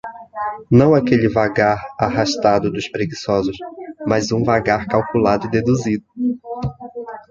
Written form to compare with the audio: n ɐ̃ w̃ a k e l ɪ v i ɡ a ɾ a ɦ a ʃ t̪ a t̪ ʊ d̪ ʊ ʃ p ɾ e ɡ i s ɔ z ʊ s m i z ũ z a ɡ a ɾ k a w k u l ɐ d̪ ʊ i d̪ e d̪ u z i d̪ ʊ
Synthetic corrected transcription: n ɐ̃ w̃ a k e l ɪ v a ɡ a ɾ a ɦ a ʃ t̪ a d̪ ʊ d̪ ʊ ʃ p ɾ e ɡ i s ɔ z ʊ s m a z ũ v a ɡ a ɾ k a w k u l a d̪ ʊ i d̪ e d̪ u z i d̪ ʊ